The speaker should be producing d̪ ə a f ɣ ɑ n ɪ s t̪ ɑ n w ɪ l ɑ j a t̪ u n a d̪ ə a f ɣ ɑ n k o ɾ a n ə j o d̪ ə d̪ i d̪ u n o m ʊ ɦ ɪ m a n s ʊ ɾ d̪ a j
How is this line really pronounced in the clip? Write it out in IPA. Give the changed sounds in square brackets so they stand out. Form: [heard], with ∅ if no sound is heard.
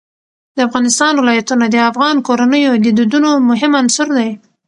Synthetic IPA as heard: d̪ ə a f ɣ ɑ n ɪ s t̪ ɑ n w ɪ l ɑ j a t̪ u n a d̪ ə a f ɣ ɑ n k o ɾ a n ə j o d̪ ə d̪ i d̪ u n o m ʊ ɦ ɪ m a n s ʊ ɾ d̪ a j